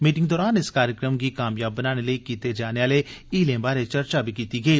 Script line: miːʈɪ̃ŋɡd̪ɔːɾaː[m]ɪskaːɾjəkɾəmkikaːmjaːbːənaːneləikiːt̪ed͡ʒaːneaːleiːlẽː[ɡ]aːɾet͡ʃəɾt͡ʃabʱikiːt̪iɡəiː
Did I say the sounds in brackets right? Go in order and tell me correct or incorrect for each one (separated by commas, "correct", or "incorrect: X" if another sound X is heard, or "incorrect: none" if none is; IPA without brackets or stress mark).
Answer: incorrect: n, incorrect: b